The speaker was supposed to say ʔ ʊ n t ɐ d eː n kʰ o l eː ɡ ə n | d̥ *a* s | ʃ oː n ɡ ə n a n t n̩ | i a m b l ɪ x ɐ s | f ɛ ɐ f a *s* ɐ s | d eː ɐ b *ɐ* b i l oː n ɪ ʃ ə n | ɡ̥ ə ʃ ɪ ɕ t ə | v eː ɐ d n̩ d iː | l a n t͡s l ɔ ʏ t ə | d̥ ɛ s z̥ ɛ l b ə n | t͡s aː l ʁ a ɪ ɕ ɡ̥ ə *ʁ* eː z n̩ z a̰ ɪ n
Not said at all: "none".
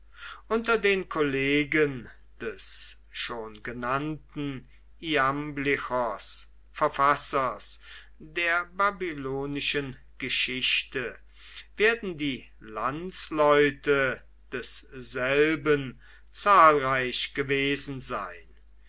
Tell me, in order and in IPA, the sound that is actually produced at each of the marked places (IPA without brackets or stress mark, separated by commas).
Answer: ɛ, s, a, v